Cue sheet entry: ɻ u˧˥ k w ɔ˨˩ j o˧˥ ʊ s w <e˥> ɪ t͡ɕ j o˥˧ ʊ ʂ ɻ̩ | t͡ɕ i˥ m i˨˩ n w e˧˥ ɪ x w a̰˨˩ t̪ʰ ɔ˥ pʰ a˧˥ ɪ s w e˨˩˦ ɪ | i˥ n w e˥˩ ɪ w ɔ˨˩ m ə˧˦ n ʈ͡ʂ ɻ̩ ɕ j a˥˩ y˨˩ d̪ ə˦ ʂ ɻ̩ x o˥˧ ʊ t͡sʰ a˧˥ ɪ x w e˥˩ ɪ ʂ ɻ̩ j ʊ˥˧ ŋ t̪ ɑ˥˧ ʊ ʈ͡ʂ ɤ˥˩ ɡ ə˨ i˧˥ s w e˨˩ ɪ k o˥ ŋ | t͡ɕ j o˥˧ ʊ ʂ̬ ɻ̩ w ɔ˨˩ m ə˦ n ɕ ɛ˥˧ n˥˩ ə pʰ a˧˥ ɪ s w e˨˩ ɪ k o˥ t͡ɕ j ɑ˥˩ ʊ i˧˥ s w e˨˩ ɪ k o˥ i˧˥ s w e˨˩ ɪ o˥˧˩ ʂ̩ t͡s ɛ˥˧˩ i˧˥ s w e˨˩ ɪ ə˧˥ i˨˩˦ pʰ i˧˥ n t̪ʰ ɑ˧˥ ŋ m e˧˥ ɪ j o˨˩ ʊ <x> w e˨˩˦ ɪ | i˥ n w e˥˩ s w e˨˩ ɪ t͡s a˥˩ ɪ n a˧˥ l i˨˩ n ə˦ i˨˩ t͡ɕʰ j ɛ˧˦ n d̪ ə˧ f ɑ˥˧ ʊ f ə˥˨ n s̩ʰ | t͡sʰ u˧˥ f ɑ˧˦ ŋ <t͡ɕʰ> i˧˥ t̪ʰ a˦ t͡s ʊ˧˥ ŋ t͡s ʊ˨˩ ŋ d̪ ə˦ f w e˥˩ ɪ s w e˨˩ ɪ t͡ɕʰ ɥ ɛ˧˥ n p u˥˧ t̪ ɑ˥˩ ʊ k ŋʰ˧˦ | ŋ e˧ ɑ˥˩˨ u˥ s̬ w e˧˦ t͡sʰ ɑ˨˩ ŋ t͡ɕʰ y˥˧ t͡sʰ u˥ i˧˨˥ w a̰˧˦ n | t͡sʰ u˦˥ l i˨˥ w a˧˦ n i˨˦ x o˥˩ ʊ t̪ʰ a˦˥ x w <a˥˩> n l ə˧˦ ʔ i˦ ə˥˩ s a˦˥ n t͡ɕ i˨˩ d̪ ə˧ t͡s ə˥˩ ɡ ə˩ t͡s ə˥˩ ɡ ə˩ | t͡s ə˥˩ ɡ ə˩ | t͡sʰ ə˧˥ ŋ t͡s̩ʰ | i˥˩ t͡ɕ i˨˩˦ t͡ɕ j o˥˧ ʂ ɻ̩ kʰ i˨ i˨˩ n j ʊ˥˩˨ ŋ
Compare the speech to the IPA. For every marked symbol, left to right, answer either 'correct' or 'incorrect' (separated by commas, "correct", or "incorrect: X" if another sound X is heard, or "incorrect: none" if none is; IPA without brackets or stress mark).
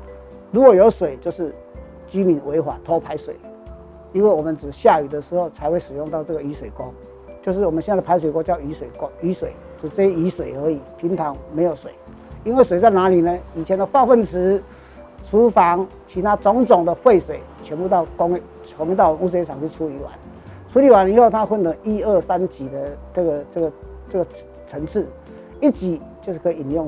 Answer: incorrect: e˨˩, incorrect: s, correct, incorrect: ə˥˩